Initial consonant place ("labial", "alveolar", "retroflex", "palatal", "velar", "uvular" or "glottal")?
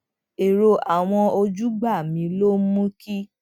alveolar